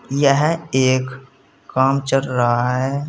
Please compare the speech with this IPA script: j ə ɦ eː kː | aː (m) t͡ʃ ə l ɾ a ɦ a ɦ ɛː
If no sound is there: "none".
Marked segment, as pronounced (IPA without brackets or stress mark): m